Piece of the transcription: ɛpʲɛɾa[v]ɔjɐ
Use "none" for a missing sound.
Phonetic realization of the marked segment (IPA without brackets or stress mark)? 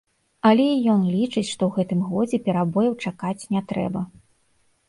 b